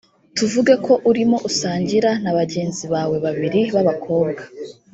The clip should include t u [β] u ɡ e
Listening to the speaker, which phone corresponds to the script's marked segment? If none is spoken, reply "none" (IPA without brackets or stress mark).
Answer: v